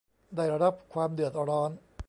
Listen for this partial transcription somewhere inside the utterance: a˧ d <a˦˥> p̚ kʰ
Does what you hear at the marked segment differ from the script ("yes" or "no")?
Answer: no